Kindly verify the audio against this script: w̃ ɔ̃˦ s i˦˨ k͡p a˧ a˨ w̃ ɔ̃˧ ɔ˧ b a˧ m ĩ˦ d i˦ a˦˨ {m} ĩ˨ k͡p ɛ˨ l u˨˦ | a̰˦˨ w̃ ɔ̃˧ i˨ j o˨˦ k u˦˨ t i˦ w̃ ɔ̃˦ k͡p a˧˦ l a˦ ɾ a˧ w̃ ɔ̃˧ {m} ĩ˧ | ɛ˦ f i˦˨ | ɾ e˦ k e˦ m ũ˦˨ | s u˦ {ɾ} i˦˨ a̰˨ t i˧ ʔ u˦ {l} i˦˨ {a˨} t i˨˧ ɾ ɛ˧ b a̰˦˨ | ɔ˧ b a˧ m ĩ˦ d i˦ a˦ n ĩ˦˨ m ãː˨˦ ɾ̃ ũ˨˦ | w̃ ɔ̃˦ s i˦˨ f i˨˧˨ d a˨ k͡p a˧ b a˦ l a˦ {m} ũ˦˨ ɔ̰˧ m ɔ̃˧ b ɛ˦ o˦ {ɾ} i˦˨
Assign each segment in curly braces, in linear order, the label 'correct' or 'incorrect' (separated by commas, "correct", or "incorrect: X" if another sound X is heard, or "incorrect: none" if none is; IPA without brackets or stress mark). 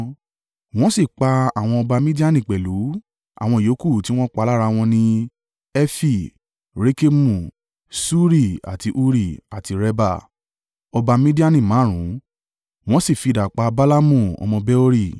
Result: incorrect: n, incorrect: n, correct, incorrect: ɾ, correct, correct, correct